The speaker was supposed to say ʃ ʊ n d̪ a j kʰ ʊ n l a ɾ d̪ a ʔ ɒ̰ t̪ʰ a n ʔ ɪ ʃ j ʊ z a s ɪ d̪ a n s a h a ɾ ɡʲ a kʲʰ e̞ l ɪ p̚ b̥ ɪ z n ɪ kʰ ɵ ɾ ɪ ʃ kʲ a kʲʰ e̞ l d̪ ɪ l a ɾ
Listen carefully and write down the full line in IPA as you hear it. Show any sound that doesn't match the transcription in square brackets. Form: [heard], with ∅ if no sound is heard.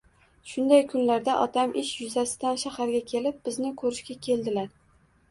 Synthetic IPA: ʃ ʊ n d̪ a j kʰ ʊ n l a ɾ d̪ a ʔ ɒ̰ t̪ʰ a [m] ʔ ɪ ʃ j ʊ z a s ɪ d̪ a n [ʃ] a h a ɾ ɡʲ a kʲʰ e̞ l ɪ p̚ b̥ ɪ z n ɪ kʰ ɵ ɾ ɪ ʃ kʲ a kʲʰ e̞ l d̪ ɪ l a ɾ

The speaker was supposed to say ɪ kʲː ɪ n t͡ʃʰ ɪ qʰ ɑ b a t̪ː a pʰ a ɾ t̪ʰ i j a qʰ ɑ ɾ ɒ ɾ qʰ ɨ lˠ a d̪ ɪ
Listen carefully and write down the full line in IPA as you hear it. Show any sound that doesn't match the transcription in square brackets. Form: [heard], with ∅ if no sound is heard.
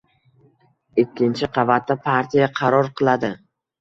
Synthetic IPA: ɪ kʲː ɪ n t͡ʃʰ ɪ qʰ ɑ [v] a t̪ː a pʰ a ɾ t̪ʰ i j a qʰ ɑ ɾ ɒ ɾ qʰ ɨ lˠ a d̪ ɪ

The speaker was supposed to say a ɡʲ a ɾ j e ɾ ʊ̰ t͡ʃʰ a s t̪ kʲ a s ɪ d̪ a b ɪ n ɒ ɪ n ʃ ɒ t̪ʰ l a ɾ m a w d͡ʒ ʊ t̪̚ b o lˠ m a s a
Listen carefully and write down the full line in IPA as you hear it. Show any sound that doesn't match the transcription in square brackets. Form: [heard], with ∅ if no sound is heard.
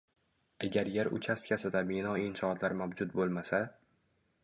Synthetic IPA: a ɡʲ a ɾ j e ɾ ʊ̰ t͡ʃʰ a s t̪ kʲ a s ɪ d̪ a b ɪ n ɒ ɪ n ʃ ɒ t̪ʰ l a ɾ m a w d͡ʒ ʊ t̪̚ b o lˠ m a s a

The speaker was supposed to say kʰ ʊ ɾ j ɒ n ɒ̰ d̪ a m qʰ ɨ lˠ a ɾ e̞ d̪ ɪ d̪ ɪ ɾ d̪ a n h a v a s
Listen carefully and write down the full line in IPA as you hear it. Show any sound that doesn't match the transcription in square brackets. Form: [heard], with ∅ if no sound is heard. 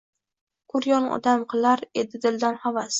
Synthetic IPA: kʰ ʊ ɾ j ɒ n ɒ̰ d̪ a m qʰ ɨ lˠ a ɾ e̞ d̪ ɪ d̪ ɪ [l] d̪ a n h a v a s

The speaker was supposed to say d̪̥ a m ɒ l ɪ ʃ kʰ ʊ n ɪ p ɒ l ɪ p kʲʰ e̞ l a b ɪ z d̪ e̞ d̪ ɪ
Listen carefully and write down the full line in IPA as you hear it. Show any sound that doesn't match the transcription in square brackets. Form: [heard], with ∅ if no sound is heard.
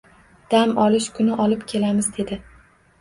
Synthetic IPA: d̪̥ a m ɒ l ɪ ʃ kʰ ʊ n ɪ [ʔ] ɒ l ɪ p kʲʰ e̞ l a [m] ɪ z d̪ e̞ d̪ ɪ

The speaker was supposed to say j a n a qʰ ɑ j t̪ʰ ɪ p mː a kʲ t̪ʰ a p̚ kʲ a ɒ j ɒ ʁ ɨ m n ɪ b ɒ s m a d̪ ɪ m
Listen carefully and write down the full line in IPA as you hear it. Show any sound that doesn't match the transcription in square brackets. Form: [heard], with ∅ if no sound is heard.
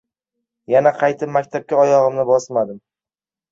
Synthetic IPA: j a n a qʰ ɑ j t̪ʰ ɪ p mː a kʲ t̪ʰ a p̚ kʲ a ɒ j ɒ ʁ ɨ m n ɪ b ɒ s m a d̪ ɪ m

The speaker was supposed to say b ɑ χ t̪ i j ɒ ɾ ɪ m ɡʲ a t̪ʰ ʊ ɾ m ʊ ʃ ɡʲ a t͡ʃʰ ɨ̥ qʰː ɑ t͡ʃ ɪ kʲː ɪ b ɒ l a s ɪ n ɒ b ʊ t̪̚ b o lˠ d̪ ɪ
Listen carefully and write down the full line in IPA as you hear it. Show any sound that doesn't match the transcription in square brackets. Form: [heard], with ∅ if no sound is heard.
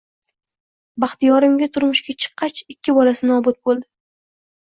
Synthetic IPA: b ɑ χ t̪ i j ɒ ɾ ɪ m ɡʲ a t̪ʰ ʊ ɾ m ʊ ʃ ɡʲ a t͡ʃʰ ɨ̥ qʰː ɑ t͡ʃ ɪ kʲː ɪ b ɒ l a s ɪ n ɒ b ʊ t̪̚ b o lˠ d̪ ɪ

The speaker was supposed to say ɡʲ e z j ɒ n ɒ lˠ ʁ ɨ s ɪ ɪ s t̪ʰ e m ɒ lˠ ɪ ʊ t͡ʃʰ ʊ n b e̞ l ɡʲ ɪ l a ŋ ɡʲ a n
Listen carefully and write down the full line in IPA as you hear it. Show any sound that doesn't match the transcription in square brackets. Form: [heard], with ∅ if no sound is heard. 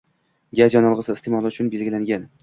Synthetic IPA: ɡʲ [a] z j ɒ n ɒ lˠ ʁ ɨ s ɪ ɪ s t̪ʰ e m ɒ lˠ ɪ ʊ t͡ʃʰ ʊ n b e̞ l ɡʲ ɪ l a ŋ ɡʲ a n

